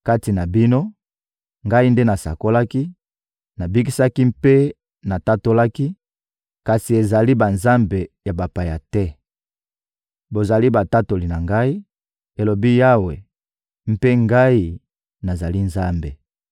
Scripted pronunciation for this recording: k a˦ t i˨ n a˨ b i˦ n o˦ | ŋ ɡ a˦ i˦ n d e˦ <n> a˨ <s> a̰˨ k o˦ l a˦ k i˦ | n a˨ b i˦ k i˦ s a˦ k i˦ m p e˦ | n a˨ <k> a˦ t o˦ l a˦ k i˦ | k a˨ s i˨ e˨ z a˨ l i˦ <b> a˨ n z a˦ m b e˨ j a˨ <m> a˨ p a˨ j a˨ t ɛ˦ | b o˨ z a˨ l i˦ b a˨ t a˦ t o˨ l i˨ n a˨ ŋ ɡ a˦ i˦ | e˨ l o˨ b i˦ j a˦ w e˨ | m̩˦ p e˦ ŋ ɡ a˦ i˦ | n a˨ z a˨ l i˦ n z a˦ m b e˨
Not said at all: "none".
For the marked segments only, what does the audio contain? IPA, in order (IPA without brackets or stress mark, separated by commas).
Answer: n, s, t, b, b